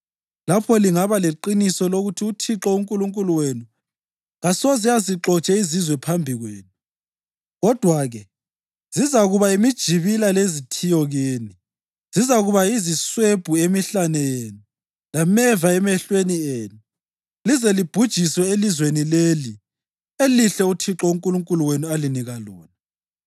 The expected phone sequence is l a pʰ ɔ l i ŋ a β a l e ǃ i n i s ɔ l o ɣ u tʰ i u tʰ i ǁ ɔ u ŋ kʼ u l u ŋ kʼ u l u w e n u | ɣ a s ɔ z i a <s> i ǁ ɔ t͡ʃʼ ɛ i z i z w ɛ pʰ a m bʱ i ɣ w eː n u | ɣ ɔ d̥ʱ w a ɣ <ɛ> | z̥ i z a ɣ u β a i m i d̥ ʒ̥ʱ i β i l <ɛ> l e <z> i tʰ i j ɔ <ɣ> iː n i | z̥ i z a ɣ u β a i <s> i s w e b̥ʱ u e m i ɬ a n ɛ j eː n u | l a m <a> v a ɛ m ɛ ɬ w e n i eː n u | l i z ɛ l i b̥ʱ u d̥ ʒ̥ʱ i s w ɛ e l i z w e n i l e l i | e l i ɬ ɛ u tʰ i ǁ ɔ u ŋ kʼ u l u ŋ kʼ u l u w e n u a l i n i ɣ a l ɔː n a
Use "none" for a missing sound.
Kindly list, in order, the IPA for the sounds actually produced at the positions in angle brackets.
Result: z, ɛ, a, z, ɣ, z, ɛ

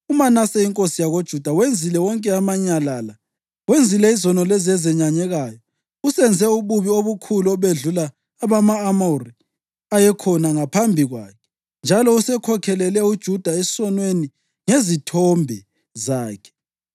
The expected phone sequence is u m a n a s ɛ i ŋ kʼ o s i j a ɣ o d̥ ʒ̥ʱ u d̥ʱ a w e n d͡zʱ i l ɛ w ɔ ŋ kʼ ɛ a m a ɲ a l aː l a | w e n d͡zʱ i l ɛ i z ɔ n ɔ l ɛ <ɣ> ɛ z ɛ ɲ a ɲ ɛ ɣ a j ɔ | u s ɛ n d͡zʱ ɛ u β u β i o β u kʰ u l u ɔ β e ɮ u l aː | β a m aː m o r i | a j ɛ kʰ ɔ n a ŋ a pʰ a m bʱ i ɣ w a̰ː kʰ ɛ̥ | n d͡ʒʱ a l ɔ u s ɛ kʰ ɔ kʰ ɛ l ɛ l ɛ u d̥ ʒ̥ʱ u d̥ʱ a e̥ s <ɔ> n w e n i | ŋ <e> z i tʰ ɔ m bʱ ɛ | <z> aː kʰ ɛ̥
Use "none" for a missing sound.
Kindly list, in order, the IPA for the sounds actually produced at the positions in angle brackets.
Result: z, ɔ, e, z

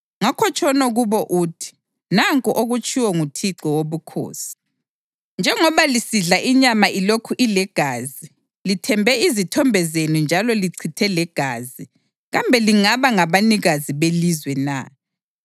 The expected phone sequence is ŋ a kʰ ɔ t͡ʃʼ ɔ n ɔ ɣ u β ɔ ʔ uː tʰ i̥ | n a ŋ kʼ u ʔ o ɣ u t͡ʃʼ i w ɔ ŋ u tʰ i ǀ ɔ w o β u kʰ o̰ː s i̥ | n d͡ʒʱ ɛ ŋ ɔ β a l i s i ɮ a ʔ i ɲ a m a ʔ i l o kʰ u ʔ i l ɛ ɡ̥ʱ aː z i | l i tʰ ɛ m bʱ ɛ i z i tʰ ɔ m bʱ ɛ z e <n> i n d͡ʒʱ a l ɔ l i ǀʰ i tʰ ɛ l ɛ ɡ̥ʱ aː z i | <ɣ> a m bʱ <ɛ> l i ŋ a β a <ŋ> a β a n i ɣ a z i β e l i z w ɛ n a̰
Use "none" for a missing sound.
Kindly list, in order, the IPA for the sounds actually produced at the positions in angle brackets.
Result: n, ɣ, ɛ, ŋ

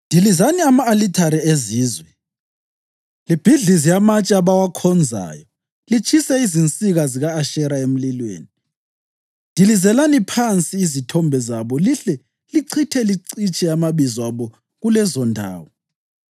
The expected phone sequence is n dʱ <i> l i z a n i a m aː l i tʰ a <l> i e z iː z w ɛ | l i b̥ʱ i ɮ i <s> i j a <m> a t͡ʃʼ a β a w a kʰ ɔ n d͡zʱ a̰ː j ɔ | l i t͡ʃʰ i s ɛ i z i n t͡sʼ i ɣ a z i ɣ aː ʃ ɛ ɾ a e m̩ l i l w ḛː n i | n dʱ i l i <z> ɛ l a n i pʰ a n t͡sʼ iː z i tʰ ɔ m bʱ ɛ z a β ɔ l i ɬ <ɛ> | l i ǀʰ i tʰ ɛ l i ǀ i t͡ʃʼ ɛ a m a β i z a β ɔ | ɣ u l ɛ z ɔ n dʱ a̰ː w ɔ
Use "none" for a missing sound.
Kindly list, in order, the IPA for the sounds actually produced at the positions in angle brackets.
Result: i, ɾ, z, m, z, ɛ

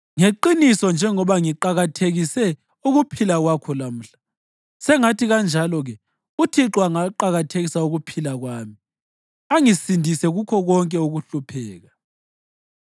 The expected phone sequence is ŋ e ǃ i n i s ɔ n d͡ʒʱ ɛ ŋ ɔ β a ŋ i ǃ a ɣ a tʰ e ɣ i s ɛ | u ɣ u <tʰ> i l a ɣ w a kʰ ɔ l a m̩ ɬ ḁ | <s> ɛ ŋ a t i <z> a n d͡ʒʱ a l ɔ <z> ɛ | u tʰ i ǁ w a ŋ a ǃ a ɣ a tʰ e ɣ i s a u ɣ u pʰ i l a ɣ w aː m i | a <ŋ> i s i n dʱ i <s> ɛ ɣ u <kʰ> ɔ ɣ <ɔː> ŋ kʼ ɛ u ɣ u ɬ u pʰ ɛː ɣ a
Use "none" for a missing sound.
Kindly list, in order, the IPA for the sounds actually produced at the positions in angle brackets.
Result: pʰ, s, ɣ, ɣ, ŋ, s, kʰ, ɔ

